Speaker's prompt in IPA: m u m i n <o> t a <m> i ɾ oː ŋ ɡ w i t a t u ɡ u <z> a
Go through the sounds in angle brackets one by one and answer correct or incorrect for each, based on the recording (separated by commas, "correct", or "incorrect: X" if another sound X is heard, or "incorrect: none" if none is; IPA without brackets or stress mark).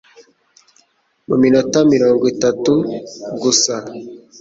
correct, correct, incorrect: s